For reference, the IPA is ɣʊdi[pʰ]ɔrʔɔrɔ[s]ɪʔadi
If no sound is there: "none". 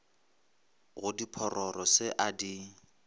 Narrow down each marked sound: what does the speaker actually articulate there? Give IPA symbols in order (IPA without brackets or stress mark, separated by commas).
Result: pʰ, s